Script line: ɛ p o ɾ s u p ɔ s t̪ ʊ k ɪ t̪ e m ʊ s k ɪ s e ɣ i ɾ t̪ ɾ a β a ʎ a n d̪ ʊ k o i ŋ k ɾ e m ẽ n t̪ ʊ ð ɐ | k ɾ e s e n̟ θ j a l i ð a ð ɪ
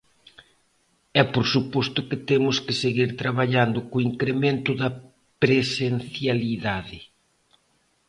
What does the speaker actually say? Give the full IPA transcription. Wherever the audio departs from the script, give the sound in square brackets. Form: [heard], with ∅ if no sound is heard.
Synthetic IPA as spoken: ɛ p o ɾ s u p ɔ s t̪ ʊ k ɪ t̪ e m ʊ s k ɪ s e ɣ i ɾ t̪ ɾ a β a ʎ a n d̪ ʊ k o i ŋ k ɾ e m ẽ n t̪ ʊ ð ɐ | [p] ɾ e s e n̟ θ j a l i ð a ð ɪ